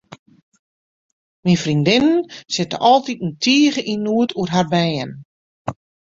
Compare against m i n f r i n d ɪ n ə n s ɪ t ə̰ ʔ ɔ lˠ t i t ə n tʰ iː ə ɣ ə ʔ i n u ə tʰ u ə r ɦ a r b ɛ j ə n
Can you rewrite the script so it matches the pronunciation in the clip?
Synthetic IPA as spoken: m i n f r i n d ɪ n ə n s ɪ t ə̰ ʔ ɔ lˠ t i t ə n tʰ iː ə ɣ ə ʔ i n u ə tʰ u ə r ɦ a r b ɛ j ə n